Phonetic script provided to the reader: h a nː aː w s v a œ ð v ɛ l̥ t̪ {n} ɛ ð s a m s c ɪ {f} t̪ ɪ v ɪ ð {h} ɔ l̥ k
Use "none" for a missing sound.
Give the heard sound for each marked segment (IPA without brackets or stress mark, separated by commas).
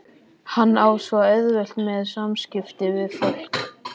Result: m, f, f